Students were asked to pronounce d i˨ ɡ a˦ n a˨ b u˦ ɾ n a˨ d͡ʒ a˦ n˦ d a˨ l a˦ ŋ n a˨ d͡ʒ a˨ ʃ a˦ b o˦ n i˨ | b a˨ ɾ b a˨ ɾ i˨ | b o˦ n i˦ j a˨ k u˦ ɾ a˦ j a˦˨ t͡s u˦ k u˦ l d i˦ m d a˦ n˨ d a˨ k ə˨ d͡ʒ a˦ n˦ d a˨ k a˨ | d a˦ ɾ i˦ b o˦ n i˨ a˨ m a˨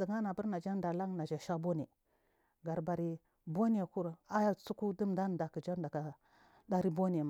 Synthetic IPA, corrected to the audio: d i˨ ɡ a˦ n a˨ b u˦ ɾ n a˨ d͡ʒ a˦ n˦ d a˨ l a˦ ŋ n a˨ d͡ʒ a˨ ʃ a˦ b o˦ n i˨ | ɡ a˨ ɾ b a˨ ɾ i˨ | b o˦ n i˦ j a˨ k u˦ ɾ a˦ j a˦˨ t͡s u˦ k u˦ d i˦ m d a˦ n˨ d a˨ k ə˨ d͡ʒ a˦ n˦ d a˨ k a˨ | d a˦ ɾ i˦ b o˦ n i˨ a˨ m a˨

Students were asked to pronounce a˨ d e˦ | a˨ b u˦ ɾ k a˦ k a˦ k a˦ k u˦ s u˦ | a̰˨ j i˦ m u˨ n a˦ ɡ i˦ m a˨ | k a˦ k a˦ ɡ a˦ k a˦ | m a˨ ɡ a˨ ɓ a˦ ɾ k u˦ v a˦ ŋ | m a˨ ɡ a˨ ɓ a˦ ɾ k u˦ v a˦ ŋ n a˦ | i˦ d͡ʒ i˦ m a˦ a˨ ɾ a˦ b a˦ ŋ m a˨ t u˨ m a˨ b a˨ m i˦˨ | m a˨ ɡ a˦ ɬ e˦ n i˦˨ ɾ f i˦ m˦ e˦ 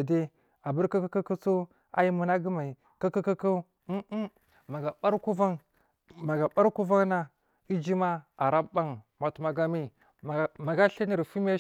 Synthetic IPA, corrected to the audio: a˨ d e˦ | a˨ b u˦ ɾ k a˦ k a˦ k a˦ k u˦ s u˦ | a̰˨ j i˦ m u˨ n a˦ ɡ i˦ m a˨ | k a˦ k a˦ k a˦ k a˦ | m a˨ ɡ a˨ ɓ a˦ ɾ k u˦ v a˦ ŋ | m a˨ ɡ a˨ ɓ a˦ ɾ k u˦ v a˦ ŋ n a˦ | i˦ d͡ʒ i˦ m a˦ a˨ ɾ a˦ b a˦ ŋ m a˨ t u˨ m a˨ ɡ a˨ m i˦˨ | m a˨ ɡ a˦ ɬ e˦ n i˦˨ ɾ f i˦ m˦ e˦

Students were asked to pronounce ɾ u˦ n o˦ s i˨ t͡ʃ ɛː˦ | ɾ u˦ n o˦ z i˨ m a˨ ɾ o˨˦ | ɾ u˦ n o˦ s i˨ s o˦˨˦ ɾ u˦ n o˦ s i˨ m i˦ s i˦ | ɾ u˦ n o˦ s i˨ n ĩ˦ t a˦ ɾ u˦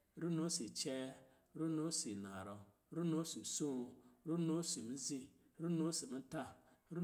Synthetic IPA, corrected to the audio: ɾ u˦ n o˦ s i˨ t͡ʃ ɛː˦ | ɾ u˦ n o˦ s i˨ n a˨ ɾ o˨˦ | ɾ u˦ n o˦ s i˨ s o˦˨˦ ɾ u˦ n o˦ s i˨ m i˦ z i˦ | ɾ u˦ n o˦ s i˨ m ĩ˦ t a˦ ɾ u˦

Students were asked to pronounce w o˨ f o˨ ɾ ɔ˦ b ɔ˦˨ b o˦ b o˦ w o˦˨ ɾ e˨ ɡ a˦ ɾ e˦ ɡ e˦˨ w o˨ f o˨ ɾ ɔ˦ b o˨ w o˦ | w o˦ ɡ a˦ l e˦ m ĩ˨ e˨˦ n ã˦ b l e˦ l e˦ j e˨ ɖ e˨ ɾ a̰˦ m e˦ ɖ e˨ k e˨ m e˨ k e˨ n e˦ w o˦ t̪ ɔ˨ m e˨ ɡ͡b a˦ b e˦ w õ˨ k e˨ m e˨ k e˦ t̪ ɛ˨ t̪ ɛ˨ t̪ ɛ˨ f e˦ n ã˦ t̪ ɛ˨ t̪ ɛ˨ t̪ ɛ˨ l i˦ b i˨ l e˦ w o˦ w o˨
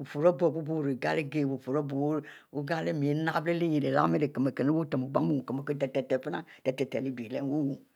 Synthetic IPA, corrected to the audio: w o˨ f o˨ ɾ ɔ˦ b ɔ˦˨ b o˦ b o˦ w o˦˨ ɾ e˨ ɡ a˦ l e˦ ɡ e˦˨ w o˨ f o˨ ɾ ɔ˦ b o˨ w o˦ | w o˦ ɡ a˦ l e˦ m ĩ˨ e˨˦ n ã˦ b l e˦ l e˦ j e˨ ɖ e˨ l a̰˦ m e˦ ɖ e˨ k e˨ m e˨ k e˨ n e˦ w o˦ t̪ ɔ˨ m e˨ ɡ͡b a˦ m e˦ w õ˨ k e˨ m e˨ k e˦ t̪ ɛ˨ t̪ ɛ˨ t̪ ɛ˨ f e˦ n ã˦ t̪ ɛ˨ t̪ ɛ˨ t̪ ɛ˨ l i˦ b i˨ l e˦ w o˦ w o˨

